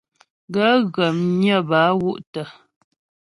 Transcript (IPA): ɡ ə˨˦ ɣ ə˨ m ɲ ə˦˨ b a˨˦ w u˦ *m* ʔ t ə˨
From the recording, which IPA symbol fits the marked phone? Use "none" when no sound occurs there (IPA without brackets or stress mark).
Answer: none